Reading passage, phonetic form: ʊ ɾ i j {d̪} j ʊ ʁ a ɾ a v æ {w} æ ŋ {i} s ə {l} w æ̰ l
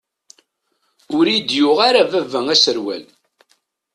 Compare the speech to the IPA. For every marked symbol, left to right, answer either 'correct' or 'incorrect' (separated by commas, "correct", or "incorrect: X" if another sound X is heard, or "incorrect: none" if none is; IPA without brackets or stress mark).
correct, incorrect: v, incorrect: æ, incorrect: ɾ